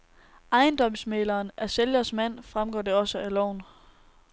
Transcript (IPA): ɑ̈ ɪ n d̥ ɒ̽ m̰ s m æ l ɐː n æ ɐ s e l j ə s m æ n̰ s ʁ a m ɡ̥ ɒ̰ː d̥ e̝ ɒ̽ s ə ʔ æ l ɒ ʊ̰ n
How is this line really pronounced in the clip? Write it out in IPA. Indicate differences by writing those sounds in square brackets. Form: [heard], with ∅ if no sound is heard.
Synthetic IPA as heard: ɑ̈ ɪ n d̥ ɒ̽ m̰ s m [e] l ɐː n æ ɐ s e l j [ɐ] s m æ n̰ [f] ʁ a m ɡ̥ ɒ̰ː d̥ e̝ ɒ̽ s ə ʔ æ l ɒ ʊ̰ n